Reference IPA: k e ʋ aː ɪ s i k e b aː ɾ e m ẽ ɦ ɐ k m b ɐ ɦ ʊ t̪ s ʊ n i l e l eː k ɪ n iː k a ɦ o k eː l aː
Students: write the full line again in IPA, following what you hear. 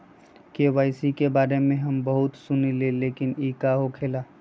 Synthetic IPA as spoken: k e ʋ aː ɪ s i k e b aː ɾ e m ẽ ɦ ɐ m b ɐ ɦ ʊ t̪ s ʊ n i l e l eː k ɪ n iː k a ɦ o kʰ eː l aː